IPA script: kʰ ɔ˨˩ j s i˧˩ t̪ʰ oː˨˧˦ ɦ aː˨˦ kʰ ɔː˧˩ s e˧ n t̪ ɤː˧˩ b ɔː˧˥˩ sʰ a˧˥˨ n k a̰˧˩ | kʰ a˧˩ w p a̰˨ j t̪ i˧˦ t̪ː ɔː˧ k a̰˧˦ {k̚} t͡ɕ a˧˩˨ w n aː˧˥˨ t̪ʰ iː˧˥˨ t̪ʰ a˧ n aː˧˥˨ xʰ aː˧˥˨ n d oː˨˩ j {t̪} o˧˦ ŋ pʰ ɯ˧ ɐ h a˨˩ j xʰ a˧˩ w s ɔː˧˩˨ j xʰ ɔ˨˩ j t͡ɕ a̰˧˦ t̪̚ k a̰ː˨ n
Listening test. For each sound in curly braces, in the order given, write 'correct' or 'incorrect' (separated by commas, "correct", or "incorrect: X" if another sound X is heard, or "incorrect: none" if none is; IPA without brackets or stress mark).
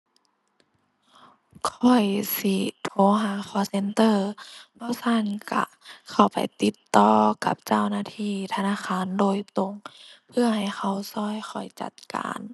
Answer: incorrect: p̚, correct